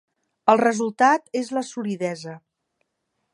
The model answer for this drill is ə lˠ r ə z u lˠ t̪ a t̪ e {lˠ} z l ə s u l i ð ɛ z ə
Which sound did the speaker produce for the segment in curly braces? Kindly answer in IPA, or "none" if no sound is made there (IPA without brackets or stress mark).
none